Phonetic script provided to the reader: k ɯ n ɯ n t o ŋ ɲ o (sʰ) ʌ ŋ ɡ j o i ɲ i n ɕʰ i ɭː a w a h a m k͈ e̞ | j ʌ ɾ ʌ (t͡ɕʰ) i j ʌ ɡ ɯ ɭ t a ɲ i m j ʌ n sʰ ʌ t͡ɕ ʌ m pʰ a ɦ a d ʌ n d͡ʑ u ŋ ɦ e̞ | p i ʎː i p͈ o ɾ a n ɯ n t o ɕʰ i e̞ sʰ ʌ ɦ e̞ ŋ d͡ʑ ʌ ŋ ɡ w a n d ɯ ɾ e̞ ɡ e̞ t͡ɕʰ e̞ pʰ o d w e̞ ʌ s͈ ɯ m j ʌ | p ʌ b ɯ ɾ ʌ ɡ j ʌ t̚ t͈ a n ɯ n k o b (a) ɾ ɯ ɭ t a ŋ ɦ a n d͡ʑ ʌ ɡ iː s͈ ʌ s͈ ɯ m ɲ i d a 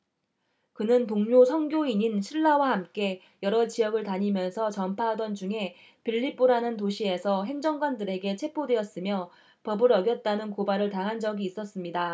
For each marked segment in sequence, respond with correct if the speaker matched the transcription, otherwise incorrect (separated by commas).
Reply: correct, incorrect, correct